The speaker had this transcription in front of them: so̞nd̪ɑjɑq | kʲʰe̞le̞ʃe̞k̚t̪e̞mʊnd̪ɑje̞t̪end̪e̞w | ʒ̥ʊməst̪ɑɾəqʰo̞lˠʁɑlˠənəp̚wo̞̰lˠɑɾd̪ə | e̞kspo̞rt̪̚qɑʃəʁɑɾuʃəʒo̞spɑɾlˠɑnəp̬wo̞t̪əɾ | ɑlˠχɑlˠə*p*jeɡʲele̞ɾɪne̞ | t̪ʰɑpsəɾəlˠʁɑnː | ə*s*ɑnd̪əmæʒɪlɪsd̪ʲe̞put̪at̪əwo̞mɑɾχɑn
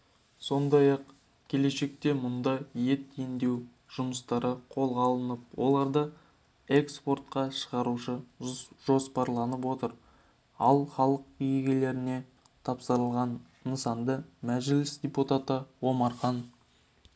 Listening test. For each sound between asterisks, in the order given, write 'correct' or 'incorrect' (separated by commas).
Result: incorrect, correct